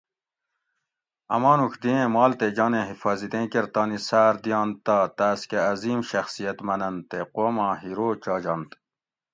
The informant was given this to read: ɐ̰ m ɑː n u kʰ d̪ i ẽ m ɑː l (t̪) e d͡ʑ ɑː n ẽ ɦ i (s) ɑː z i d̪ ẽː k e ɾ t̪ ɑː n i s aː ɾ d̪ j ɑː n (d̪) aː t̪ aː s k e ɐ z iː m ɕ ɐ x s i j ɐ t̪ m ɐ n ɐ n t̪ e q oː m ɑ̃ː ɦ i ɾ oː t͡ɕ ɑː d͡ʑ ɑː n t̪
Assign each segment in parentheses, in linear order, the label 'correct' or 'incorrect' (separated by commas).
correct, incorrect, incorrect